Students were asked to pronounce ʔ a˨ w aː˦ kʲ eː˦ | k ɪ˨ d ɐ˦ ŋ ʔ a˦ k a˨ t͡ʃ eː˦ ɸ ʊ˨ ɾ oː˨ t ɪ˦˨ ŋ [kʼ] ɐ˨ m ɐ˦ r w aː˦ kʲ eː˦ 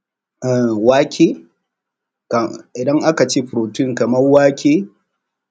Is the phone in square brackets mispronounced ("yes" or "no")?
yes